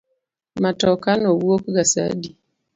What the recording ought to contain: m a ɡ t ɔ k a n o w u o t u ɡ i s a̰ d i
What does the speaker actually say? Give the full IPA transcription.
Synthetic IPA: m a t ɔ k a n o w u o k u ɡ a s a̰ d i